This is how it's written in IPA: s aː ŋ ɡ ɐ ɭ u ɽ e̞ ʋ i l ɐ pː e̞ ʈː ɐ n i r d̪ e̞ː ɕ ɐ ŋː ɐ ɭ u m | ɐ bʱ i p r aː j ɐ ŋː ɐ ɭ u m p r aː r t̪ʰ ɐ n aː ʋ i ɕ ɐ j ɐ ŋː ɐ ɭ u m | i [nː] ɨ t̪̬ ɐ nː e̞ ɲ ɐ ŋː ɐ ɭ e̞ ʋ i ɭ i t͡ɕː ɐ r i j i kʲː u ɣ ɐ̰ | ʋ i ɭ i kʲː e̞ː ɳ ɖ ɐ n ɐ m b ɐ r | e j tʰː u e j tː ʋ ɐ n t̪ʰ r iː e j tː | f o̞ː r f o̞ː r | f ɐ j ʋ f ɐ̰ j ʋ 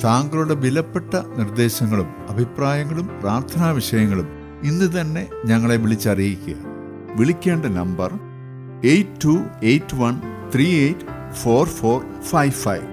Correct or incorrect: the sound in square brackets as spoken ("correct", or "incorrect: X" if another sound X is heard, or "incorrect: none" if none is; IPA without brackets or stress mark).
correct